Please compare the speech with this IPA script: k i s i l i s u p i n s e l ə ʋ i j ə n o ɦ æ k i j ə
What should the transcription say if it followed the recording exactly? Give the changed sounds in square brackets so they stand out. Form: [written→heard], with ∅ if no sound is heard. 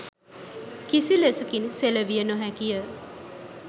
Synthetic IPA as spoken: k i s i l [i→e] s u [p→k] i n s e l ə ʋ i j ə n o ɦ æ k i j ə